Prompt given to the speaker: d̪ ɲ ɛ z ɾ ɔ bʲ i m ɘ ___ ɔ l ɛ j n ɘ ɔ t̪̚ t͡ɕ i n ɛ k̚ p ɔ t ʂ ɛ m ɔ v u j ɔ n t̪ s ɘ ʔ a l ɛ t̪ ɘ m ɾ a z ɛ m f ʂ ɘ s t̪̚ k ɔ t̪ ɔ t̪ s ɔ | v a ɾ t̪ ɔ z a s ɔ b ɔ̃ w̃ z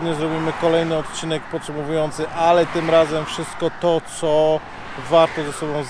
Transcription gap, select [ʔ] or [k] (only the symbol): k